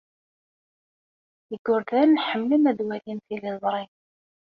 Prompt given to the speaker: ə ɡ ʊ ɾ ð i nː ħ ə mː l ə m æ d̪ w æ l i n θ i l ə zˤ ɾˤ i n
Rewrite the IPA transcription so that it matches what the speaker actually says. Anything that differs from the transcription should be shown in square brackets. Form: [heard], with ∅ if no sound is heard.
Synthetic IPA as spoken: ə ɡ ʊ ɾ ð [æ] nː ħ ə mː l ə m æ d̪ w æ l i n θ i l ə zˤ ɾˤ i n